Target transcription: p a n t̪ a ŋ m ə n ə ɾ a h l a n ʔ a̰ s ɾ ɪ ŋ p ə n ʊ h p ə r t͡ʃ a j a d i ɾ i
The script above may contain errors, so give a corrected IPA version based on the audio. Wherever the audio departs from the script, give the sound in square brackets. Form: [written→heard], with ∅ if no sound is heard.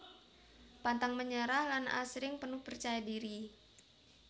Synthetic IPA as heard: p a n t̪ a ŋ m ə [n→ɲ] ə ɾ a h l a n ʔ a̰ s ɾ ɪ ŋ p ə n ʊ h p ə r t͡ʃ a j a d i ɾ i